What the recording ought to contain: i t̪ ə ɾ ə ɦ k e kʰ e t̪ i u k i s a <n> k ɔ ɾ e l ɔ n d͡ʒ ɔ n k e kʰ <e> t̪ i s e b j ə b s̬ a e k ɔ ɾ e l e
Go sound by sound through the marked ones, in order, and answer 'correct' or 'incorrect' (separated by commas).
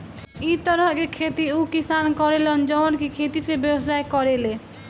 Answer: correct, correct